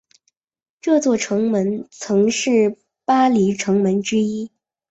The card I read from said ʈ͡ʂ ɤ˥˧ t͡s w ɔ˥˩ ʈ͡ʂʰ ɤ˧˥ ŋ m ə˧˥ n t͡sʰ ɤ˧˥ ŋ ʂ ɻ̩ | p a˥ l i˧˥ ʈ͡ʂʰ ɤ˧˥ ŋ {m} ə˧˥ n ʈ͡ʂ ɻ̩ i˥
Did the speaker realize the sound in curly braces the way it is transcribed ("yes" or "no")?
yes